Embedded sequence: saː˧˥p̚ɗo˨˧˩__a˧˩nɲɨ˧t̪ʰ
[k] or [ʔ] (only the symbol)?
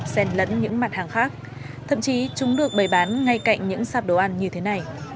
ʔ